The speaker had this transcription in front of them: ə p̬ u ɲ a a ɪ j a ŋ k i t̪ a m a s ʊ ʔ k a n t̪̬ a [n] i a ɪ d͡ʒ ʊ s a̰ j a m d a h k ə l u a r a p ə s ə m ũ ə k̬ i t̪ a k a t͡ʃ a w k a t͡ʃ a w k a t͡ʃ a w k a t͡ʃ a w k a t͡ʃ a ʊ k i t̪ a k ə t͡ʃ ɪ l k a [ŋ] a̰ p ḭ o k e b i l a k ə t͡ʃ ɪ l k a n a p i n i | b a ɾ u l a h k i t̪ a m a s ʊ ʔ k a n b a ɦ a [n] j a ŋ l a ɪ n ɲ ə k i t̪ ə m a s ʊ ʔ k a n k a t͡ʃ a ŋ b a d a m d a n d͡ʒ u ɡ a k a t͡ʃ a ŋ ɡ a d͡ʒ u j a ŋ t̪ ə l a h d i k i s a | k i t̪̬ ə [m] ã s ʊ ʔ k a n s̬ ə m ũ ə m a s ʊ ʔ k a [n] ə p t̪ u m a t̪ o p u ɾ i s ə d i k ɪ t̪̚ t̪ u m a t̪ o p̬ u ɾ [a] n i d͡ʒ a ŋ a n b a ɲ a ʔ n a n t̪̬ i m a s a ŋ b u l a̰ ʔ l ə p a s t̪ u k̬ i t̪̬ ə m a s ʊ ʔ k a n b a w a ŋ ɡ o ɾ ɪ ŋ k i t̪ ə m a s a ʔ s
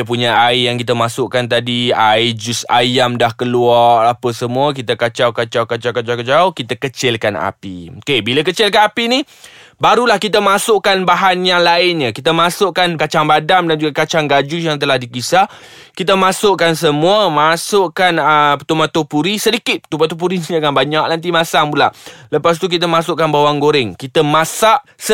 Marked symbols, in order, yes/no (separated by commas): no, no, yes, yes, yes, no